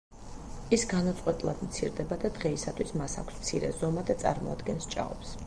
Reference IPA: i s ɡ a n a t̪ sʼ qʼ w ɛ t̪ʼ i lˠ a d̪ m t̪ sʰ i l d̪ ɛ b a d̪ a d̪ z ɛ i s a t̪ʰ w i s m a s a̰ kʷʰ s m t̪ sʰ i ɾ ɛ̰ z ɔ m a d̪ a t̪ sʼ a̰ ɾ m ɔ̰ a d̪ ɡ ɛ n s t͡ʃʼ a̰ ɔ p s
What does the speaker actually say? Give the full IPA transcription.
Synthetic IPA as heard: i s ɡ a n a t̪ sʼ qʼ w ɛ t̪ʼ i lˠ a d̪ m t̪ sʰ i ɾ d̪ ɛ b a d̪ a d̪ ʁ ɛ i s a t̪ʰ w i s m a s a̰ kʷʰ s m t̪ sʰ i ɾ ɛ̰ z ɔ m a d̪ a t̪ sʼ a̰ ɾ m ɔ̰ a d̪ ɡ ɛ n s t͡ʃʼ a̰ ɔ p s